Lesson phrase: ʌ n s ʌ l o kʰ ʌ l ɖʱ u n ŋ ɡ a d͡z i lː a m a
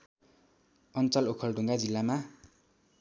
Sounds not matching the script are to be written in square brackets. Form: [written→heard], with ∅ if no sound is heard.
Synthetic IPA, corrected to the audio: ʌ n [s→t͡s] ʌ l o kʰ ʌ l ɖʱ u [n→∅] ŋ ɡ a d͡z i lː a m a